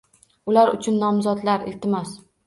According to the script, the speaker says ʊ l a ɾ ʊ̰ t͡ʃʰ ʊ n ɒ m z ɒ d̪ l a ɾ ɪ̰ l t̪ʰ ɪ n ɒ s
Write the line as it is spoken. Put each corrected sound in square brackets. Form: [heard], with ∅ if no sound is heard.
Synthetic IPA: ʊ l a ɾ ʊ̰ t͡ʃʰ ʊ [nː] ɒ m z ɒ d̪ l a ɾ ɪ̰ l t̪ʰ ɪ [m] ɒ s